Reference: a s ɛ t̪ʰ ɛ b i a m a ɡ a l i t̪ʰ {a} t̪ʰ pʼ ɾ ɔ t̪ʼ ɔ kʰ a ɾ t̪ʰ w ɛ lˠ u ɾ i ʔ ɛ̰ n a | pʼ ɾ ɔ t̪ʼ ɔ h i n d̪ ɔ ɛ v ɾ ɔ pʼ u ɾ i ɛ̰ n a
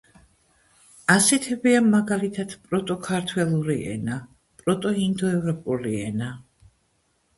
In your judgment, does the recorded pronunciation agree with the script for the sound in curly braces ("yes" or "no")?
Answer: yes